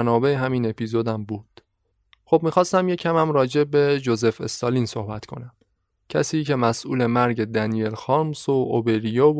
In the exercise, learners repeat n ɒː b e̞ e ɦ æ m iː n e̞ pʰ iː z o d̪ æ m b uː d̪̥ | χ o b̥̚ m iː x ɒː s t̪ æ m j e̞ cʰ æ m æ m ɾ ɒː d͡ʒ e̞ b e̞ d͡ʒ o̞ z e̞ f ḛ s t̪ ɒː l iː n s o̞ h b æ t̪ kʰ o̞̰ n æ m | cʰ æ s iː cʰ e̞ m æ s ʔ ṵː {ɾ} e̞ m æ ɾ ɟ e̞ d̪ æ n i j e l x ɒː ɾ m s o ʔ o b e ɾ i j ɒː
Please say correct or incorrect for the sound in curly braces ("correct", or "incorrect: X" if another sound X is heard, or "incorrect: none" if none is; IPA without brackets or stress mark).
incorrect: l